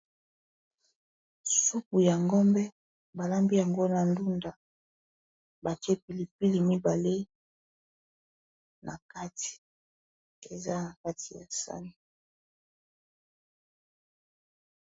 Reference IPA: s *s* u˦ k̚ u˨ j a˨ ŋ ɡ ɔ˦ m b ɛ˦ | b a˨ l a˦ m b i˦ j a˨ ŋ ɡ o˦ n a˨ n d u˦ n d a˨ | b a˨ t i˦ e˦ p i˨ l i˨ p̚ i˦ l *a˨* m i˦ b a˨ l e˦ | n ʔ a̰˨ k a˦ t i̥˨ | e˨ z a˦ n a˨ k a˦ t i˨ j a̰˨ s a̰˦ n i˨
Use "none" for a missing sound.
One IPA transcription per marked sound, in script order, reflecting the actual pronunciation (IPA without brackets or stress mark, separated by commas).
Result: s, i˨